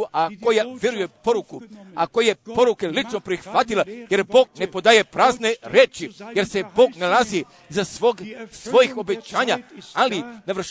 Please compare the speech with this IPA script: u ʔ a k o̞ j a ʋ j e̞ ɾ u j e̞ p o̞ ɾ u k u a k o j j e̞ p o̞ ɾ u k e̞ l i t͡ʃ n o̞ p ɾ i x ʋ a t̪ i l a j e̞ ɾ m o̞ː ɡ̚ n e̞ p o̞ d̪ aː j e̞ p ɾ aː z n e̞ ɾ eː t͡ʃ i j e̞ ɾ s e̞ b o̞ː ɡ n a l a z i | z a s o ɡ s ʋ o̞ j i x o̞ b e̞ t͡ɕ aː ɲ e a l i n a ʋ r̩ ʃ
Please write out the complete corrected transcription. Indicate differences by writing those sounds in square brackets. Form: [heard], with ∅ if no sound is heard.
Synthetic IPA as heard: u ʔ a k o̞ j a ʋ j e̞ ɾ u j e̞ p o̞ ɾ u k u a k o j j e̞ p o̞ ɾ u k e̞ l i t͡ʃ n o̞ p ɾ i x ʋ a t̪ i l a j e̞ ɾ [b] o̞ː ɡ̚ n e̞ p o̞ d̪ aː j e̞ p ɾ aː z n e̞ ɾ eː t͡ʃ i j e̞ ɾ s e̞ b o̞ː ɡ n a l a z i | z a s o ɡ s ʋ o̞ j i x o̞ b e̞ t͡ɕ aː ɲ [a] a l i n a ʋ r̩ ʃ